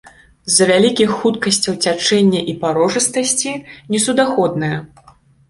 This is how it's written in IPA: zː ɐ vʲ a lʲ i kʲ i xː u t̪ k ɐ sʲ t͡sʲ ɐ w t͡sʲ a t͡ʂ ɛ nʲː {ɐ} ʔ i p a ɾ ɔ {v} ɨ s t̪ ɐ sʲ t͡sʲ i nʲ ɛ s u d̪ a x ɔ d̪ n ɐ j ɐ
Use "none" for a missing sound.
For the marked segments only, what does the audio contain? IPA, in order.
ɐ, ʐ

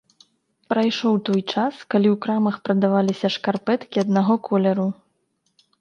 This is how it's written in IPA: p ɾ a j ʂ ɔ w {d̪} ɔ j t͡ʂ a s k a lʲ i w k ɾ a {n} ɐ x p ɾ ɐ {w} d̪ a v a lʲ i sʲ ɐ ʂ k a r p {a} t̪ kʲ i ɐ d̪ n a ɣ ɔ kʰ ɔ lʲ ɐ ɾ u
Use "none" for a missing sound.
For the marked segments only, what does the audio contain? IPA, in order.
t̪, m, none, ɛ

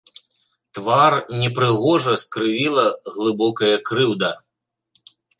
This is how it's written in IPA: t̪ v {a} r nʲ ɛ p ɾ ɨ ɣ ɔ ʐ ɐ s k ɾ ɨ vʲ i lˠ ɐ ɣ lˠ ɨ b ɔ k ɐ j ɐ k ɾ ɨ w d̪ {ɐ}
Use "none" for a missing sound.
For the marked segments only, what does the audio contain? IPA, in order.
a, ɐ

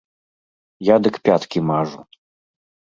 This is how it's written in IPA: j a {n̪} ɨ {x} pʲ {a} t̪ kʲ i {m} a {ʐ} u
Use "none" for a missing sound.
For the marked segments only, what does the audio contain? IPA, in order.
d̪, k, a, m, ʐ

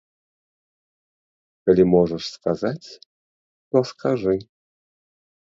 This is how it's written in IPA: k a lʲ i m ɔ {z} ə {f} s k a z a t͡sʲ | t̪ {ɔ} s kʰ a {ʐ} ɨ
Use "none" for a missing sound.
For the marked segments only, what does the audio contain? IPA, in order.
ʐ, ʂ, ɔ, ʐ

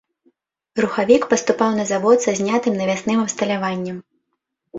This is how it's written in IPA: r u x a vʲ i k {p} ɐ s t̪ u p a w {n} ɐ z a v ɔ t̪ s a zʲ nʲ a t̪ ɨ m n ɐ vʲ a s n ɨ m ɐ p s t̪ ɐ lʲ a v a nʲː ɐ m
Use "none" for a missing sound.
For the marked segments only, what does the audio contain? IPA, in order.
p, n

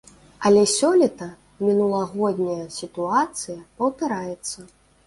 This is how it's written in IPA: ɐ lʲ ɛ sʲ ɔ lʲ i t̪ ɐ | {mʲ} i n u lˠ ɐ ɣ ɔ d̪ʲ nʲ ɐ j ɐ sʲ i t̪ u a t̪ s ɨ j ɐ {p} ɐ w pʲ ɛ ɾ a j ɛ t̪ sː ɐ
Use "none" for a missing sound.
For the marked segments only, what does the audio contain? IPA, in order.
mʲ, p

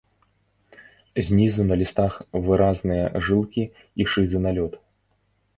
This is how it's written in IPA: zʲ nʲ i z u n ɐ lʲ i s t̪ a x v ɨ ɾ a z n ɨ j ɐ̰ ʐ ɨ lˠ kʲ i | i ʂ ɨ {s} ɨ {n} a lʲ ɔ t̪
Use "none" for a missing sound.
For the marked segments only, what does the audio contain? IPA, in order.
z, n

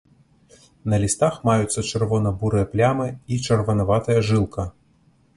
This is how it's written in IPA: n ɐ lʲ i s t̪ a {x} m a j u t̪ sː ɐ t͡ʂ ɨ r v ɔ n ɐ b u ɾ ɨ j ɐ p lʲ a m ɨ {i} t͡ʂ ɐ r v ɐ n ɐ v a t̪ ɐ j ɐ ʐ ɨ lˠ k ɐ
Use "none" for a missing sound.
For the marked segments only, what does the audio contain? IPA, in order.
x, i

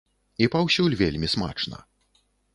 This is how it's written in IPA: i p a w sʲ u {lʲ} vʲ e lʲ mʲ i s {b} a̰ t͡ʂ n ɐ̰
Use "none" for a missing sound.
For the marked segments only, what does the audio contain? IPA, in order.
lʲ, m

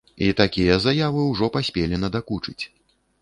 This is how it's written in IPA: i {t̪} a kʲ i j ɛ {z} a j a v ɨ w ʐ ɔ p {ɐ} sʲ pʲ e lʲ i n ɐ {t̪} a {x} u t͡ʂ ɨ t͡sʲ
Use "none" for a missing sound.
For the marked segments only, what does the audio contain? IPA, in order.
t̪, z, a, d̪, k

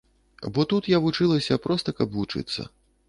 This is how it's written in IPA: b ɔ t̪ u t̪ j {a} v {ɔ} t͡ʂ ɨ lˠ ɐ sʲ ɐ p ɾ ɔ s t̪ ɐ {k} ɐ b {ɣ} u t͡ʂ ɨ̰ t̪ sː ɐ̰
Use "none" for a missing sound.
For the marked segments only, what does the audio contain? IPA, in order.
a, u, k, v

